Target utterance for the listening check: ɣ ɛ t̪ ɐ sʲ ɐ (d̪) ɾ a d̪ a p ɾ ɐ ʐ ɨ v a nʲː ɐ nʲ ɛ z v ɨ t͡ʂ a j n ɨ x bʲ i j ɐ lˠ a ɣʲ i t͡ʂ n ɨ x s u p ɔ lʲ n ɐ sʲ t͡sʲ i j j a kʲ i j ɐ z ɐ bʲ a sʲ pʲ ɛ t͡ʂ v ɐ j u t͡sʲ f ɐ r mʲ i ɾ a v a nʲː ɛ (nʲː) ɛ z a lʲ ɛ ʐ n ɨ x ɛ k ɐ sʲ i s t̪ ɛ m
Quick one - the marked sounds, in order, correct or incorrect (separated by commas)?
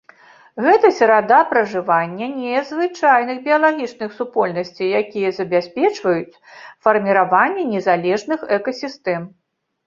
incorrect, incorrect